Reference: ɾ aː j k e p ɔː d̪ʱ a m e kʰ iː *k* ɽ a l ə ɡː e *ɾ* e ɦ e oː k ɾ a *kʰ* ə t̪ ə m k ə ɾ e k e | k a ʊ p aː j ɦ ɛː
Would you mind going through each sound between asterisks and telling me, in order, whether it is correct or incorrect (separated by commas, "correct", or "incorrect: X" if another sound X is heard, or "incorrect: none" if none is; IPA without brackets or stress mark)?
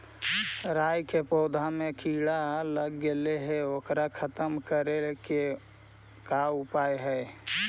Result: incorrect: none, incorrect: l, correct